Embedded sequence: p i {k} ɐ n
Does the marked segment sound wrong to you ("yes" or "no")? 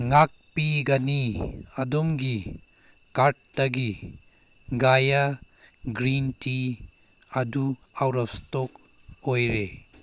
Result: yes